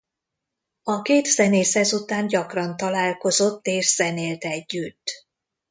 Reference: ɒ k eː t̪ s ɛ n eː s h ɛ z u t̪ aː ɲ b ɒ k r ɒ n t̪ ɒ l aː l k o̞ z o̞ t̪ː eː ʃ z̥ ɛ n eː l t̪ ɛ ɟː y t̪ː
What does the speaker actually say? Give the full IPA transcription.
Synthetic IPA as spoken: ɒ k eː t̪ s ɛ n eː s h ɛ z u t̪ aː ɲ ɟ ɒ k r ɒ n t̪ ɒ l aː l k o̞ z o̞ t̪ː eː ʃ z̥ ɛ n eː l t̪ ɛ ɟː y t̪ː